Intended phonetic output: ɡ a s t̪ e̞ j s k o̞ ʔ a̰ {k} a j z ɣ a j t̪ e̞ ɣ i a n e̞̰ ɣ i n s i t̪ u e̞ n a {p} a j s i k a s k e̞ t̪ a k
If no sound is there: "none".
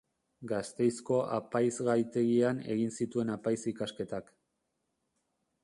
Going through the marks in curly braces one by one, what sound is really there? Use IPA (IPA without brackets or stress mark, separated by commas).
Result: p, p